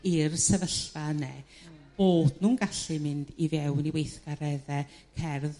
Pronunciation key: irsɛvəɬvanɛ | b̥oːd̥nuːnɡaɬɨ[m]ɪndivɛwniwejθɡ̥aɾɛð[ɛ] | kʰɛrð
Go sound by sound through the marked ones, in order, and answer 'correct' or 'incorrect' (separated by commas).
correct, correct